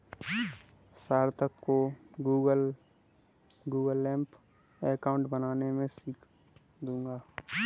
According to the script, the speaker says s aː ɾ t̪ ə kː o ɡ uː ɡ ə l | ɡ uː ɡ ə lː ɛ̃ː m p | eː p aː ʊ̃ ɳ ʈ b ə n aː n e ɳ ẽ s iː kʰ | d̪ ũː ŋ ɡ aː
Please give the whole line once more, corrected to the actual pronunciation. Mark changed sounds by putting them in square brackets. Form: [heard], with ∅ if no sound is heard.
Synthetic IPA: s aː ɾ t̪ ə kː o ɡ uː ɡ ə l | ɡ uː ɡ ə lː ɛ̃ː m p | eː [k] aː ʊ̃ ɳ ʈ b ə n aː n e [m] ẽ s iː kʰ | d̪ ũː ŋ ɡ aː